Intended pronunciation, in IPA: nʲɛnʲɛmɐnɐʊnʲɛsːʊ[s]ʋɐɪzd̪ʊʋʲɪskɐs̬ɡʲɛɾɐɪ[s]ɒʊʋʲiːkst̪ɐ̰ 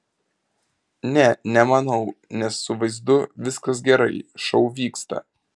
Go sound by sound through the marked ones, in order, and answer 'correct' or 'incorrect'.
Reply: incorrect: none, incorrect: ʃ

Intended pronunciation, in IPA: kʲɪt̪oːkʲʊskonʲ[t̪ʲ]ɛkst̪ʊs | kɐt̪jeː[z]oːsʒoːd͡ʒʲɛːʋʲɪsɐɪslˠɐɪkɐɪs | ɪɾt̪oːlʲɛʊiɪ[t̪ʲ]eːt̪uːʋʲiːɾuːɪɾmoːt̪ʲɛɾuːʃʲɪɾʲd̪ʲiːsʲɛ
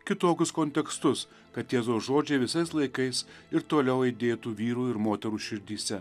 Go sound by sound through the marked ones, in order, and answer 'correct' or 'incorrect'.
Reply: correct, correct, incorrect: d̪ʲ

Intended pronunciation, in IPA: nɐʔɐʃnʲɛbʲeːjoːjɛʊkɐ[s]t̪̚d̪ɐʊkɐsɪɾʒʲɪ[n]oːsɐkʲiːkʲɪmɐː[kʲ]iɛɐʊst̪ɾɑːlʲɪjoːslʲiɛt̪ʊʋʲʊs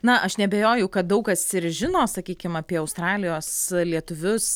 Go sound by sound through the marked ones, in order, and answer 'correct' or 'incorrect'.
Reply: incorrect: none, correct, incorrect: pʲ

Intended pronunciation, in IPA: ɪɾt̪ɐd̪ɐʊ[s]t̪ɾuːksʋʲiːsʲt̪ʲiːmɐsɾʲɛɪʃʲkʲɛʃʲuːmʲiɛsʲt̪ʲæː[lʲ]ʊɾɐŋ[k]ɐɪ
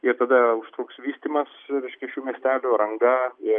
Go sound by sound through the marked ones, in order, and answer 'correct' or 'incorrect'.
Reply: incorrect: ʃ, correct, incorrect: ɡ

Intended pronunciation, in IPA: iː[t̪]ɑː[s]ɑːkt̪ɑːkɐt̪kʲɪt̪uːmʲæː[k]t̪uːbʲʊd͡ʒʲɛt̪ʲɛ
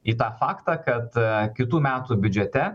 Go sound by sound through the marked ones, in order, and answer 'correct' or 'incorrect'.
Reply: correct, incorrect: f, incorrect: none

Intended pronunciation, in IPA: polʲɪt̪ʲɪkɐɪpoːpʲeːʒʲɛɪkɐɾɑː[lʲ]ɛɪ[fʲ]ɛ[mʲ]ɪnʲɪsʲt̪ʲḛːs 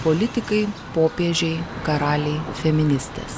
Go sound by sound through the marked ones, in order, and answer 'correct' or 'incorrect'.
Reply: correct, correct, correct

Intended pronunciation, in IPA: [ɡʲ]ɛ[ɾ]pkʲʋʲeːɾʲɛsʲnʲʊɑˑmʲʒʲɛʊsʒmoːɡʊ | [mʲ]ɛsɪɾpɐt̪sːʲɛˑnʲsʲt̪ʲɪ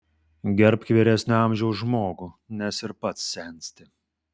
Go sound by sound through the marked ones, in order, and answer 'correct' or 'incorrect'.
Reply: correct, correct, incorrect: nʲ

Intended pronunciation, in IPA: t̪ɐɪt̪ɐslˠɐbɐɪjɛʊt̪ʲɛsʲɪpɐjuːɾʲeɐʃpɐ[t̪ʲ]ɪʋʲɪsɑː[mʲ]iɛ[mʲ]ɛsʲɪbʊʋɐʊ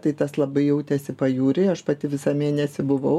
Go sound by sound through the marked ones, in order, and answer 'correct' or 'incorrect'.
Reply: correct, correct, incorrect: nʲ

